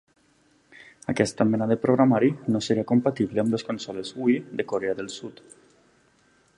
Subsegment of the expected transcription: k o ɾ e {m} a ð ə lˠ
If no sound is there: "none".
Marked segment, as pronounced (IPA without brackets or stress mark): none